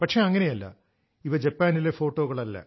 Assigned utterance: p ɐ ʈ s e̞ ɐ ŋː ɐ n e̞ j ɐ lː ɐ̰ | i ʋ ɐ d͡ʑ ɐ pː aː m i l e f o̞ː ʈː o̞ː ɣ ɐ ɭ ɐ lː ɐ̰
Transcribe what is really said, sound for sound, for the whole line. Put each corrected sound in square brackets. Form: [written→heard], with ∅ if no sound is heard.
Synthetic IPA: p ɐ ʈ [s→ʂ] e̞ ɐ ŋː ɐ n e̞ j ɐ lː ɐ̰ | i ʋ ɐ d͡ʑ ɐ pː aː [m→n] i l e f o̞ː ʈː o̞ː ɣ ɐ ɭ ɐ lː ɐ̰